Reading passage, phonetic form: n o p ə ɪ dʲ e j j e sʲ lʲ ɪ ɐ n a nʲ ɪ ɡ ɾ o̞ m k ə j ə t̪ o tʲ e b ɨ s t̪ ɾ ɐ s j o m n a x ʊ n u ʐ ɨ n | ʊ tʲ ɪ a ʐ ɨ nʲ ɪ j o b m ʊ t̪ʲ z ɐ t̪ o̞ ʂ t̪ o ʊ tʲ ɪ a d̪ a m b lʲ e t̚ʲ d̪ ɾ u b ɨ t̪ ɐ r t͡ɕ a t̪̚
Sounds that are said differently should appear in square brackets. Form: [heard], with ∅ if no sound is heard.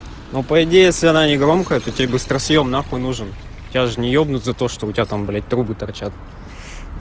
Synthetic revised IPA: n o p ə ɪ dʲ e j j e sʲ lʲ ɪ ɐ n a nʲ ɪ ɡ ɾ o̞ m k ə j ə t̪ o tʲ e b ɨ s t̪ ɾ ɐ s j o m n a x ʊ n u ʐ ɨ n | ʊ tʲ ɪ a ʐ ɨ nʲ ɪ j o b [n] ʊ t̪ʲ z ɐ t̪ o̞ ʂ t̪ o ʊ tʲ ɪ a [t̪] a m b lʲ e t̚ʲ [t̪] ɾ u b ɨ t̪ ɐ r t͡ɕ a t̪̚